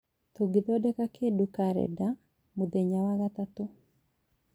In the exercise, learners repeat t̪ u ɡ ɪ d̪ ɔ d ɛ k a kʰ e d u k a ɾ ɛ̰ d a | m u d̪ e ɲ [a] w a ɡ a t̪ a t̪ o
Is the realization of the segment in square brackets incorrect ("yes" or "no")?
no